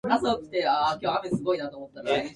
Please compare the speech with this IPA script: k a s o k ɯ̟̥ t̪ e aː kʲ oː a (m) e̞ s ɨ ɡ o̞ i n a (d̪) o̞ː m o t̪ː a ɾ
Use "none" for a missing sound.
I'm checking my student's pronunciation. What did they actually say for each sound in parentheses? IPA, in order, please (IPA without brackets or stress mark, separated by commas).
m, t̪